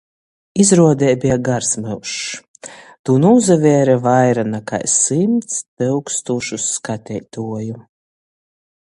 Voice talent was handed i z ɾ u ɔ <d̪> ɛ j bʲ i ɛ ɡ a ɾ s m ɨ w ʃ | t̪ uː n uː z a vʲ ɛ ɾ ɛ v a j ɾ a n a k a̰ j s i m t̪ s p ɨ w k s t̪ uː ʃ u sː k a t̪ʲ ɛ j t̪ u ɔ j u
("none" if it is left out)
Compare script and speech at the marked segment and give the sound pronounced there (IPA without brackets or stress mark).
d̪